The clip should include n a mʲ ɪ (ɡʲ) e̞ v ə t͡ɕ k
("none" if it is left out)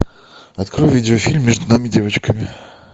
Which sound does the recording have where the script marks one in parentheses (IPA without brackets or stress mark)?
dʲ